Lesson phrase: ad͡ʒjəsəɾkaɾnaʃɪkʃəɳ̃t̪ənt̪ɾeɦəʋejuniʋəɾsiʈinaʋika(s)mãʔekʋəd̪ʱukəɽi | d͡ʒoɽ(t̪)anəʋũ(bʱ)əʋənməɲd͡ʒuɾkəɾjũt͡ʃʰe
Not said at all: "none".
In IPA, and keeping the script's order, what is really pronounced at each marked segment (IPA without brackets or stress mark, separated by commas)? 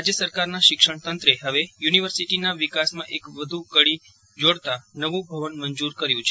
s, t̪, bʱ